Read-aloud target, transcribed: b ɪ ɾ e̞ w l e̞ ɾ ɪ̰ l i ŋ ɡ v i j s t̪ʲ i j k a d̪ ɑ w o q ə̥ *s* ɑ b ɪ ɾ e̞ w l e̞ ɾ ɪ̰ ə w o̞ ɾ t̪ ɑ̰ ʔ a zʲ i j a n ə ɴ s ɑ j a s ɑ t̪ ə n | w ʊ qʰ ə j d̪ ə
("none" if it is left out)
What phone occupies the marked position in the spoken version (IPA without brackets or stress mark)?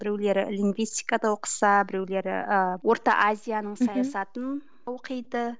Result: s